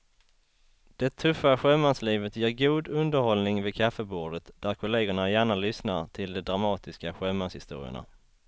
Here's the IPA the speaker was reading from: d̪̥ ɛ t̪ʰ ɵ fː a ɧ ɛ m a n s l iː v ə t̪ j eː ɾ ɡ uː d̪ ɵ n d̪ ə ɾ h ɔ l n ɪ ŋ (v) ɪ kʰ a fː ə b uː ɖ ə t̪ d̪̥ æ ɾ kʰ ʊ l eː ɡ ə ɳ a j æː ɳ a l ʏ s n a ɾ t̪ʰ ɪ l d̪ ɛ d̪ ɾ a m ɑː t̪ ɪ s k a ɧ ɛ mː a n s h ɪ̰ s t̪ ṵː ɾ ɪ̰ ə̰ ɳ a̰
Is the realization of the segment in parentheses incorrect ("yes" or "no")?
no